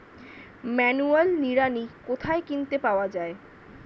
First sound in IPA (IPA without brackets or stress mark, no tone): m